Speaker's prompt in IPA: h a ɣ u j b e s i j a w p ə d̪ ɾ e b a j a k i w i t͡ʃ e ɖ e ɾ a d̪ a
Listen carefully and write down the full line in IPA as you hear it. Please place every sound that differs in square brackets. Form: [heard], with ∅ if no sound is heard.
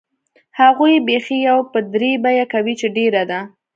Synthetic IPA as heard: h a ɣ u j b e [x] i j a w p ə d̪ ɾ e b a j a k [a] w i t͡ʃ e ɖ e ɾ a d̪ a